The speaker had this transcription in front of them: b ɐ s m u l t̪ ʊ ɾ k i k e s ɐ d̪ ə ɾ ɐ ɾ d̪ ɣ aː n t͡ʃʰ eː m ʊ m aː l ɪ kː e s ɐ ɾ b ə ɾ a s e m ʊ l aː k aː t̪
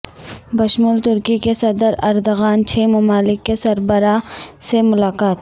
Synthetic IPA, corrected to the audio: b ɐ ʃ m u l t̪ ʊ ɾ k i k e s ɐ d̪ ə ɾ ɐ ɾ d̪ ɣ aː n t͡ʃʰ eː m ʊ m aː l ɪ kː e s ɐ ɾ b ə ɾ a s e m ʊ l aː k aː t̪